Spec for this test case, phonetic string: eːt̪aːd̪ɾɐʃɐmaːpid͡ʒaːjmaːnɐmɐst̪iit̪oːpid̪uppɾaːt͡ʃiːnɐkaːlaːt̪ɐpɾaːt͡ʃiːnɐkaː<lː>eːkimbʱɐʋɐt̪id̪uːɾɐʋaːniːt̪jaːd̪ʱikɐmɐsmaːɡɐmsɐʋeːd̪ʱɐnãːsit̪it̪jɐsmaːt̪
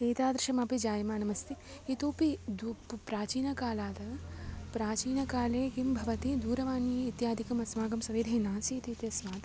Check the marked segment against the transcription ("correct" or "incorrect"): incorrect